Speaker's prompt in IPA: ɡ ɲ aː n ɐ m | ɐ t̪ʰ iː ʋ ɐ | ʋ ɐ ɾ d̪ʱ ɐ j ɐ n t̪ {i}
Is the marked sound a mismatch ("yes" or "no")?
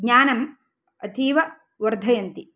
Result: no